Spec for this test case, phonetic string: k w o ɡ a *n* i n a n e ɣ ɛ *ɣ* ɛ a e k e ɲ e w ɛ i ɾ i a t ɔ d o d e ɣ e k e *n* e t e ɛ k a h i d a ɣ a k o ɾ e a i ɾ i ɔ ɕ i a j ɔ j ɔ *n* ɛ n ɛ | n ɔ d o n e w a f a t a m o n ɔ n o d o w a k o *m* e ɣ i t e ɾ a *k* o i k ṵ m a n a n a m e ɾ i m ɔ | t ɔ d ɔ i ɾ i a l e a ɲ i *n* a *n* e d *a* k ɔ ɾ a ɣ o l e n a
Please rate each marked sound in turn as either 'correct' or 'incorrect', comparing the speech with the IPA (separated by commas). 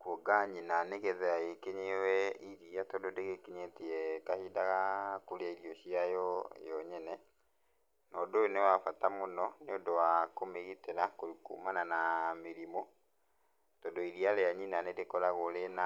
incorrect, incorrect, incorrect, incorrect, correct, correct, correct, correct, incorrect